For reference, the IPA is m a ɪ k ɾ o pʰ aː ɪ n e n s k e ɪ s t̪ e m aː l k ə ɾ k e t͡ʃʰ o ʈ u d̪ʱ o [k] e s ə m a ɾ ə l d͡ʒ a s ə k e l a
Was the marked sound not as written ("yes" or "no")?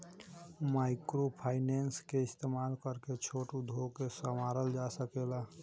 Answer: no